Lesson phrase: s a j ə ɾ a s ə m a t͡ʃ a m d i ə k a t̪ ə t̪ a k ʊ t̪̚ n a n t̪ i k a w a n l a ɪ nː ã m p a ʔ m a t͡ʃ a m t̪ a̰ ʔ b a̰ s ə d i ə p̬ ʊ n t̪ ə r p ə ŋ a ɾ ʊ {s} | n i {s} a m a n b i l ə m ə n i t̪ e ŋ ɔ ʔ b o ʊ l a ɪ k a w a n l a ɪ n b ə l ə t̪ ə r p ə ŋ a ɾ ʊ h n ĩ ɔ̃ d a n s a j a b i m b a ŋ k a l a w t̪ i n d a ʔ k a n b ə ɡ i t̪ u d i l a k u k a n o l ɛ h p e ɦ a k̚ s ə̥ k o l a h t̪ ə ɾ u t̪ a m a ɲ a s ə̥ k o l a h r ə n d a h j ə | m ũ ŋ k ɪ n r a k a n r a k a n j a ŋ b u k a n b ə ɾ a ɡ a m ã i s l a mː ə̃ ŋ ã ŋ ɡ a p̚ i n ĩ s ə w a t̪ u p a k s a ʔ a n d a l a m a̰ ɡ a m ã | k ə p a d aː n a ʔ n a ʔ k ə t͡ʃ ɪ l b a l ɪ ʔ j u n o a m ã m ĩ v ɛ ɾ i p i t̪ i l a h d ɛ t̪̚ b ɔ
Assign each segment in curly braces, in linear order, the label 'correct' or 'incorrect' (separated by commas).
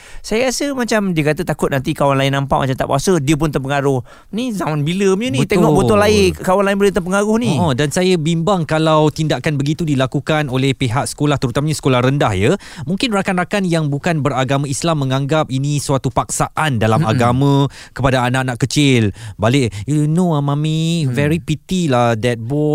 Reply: incorrect, incorrect